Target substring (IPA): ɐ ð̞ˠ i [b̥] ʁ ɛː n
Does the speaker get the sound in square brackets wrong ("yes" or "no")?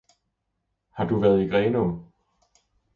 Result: yes